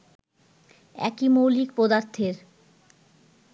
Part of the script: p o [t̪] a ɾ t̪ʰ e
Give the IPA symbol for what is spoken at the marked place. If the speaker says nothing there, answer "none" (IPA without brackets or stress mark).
d̪